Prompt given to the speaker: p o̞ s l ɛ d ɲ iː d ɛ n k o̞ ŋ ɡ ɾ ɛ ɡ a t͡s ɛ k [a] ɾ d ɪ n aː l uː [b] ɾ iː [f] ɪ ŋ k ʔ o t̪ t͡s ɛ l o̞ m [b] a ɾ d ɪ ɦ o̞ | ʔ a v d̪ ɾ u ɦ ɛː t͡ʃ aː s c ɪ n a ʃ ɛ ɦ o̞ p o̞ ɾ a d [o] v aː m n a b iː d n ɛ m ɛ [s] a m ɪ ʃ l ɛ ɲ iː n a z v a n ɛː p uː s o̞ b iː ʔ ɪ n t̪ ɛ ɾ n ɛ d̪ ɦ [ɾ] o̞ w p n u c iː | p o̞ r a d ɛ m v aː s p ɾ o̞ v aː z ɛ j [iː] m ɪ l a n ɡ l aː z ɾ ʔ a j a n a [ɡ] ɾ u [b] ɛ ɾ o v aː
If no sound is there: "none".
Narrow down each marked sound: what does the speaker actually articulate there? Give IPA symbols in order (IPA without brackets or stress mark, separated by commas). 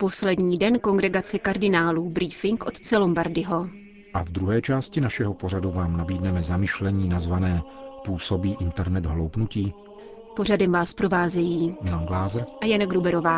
a, b, f, b, u, z, l, iː, ɡ, b